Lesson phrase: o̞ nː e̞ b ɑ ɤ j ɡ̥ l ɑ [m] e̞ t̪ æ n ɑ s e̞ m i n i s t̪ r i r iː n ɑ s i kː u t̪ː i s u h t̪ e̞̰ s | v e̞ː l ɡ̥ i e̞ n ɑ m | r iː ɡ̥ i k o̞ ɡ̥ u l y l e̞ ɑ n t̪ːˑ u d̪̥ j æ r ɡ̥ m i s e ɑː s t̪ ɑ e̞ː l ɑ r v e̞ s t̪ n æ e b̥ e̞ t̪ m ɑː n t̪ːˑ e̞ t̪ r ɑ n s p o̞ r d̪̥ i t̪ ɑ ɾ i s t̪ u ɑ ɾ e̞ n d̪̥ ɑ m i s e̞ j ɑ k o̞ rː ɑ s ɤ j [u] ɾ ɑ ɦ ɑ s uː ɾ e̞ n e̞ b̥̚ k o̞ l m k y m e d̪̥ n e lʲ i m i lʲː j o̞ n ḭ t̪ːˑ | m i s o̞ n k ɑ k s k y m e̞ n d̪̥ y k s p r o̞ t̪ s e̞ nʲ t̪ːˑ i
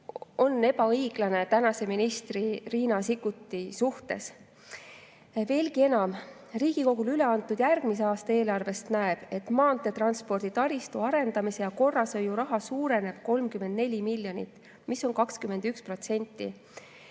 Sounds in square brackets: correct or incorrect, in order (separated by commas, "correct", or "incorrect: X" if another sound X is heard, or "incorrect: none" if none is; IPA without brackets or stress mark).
incorrect: n, correct